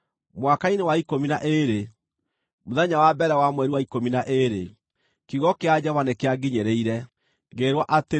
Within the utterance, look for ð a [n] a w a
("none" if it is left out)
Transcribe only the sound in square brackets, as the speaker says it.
ɲ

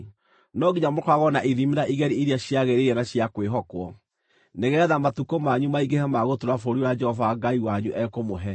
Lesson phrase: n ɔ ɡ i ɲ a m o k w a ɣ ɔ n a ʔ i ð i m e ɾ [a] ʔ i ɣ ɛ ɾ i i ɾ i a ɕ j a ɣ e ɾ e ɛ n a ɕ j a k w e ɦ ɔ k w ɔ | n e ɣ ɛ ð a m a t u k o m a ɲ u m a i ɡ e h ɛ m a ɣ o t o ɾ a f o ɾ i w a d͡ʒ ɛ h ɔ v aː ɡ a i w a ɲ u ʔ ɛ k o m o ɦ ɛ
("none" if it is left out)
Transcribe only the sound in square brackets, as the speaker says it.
a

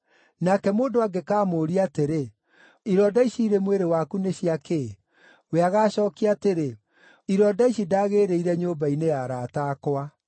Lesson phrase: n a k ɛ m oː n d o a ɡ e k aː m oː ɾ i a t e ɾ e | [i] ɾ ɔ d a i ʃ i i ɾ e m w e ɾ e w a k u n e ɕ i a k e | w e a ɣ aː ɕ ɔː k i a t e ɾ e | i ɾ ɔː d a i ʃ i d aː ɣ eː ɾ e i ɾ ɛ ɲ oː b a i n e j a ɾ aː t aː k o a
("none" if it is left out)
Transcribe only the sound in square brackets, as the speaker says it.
i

